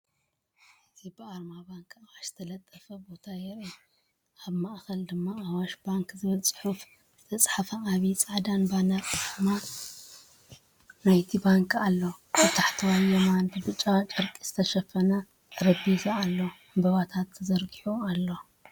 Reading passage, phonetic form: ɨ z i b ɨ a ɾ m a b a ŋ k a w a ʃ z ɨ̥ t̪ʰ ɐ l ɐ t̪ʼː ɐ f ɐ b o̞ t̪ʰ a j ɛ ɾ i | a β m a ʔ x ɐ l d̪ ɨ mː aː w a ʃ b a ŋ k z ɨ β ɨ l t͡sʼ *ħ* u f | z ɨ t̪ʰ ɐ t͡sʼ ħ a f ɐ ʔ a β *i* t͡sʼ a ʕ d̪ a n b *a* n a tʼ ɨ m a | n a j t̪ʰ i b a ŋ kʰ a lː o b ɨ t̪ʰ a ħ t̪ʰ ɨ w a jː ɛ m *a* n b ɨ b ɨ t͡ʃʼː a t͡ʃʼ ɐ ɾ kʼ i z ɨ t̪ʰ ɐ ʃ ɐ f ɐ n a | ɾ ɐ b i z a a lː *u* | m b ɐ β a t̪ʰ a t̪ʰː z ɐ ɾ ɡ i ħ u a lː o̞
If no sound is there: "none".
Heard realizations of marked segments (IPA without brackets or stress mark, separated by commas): ħ, i, a, a, o